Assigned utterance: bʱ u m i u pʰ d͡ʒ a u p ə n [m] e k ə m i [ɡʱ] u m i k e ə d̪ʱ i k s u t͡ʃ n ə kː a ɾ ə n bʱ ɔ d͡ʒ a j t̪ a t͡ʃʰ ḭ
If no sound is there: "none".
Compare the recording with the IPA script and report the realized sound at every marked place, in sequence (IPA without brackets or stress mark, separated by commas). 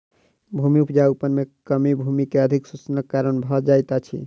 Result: m, bʱ